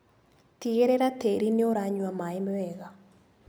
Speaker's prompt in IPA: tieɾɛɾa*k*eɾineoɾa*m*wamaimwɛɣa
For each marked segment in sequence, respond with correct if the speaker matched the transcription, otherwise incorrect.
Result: incorrect, incorrect

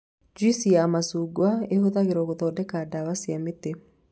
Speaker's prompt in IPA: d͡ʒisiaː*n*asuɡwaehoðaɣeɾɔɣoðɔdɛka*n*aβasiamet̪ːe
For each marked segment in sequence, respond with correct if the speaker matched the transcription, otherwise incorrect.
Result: incorrect, incorrect

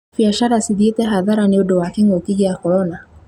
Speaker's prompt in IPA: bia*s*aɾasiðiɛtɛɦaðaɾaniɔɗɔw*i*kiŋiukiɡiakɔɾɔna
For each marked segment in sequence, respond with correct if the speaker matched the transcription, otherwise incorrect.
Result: incorrect, incorrect

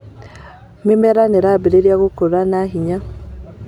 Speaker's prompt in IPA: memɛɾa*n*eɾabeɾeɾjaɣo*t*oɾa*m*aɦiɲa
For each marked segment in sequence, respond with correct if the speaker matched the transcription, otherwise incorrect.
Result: correct, incorrect, incorrect

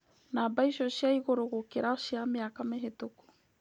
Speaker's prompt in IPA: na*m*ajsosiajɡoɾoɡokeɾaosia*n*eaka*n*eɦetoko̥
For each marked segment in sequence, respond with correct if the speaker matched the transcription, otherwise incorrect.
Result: incorrect, incorrect, incorrect

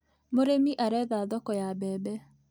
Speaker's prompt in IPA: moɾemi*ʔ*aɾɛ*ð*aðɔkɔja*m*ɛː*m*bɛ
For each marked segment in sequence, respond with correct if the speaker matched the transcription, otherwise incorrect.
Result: correct, correct, incorrect, incorrect

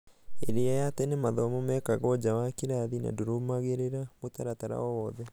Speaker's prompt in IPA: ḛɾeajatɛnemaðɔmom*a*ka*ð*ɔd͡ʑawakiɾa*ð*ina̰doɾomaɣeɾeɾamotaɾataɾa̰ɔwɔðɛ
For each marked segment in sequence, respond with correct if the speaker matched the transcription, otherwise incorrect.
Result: incorrect, incorrect, correct

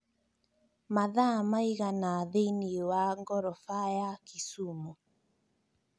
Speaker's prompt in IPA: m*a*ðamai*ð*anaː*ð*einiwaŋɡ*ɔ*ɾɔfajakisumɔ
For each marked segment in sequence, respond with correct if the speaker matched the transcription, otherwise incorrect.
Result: correct, incorrect, correct, correct

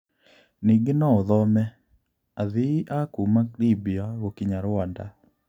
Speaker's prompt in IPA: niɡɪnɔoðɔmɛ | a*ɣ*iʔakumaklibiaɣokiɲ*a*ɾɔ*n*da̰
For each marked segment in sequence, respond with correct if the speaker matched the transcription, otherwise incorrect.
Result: incorrect, correct, correct

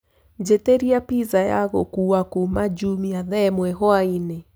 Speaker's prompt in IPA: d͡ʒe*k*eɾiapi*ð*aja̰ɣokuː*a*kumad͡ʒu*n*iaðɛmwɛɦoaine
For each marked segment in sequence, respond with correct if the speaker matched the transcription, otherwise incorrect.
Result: incorrect, incorrect, correct, incorrect

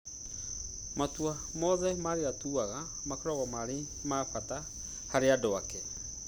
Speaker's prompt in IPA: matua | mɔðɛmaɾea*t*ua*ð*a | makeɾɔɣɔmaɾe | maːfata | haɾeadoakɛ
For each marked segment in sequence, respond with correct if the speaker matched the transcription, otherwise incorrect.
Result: correct, incorrect

